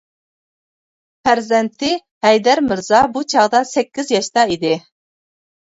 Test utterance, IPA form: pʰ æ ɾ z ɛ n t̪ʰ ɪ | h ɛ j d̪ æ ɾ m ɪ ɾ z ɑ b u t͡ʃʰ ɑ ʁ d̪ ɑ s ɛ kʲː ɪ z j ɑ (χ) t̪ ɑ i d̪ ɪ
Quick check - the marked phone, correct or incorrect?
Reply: incorrect